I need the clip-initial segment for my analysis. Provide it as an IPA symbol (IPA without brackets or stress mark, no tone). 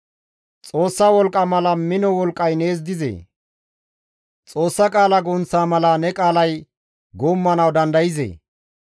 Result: t͡sʼ